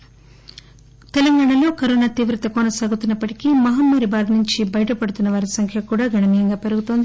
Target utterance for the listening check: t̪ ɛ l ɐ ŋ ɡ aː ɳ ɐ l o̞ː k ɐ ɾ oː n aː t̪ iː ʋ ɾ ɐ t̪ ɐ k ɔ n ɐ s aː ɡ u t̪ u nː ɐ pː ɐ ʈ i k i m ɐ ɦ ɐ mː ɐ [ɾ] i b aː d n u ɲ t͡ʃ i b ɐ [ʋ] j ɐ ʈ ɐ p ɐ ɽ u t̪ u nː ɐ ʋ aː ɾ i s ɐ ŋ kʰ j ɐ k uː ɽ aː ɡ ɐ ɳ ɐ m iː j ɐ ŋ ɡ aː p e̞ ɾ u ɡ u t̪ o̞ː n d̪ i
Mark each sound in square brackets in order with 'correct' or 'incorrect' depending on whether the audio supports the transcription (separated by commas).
correct, incorrect